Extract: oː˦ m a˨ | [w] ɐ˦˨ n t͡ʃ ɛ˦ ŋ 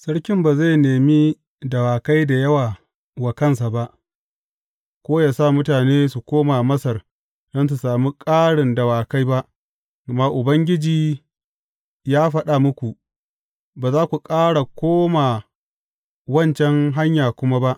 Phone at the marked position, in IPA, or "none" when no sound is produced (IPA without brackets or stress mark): w